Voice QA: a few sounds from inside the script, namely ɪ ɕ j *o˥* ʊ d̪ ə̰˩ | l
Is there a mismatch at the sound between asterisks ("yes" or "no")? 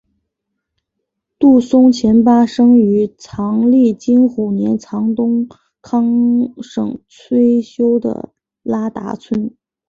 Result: no